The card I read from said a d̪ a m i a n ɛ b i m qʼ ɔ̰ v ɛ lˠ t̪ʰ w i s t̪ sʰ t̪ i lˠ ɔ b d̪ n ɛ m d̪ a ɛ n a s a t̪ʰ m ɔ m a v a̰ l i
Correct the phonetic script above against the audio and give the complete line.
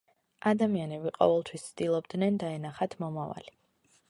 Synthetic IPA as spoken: a d̪ a m i a n ɛ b i qʼ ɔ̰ v ɛ lˠ t̪ʰ w i s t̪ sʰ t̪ i lˠ ɔ b d̪ n ɛ n d̪ a ɛ n a χ a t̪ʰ m ɔ m a v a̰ l i